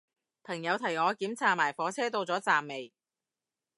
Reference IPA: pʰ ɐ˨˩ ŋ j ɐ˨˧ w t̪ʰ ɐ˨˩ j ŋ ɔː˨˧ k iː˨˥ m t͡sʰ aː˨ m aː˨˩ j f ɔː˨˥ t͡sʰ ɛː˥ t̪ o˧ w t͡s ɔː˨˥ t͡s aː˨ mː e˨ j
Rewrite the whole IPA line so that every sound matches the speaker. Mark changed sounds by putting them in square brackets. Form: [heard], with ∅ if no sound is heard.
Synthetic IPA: pʰ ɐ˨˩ ŋ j ɐ˨˧ w t̪ʰ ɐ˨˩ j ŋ ɔː˨˧ k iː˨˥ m t͡sʰ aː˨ m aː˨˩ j f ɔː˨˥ t͡sʰ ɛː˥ t̪ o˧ w t͡s ɔː˨˥ t͡s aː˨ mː e˨ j